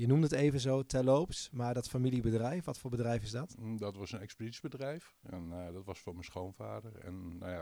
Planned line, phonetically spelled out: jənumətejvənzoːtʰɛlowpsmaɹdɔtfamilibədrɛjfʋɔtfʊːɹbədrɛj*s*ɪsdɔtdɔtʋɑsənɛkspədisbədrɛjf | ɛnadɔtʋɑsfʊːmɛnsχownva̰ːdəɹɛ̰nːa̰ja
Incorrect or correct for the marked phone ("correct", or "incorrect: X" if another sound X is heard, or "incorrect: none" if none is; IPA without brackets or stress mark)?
incorrect: f